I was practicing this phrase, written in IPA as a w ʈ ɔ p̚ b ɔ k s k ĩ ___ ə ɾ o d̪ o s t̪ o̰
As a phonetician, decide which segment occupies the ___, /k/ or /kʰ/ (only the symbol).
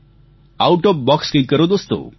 k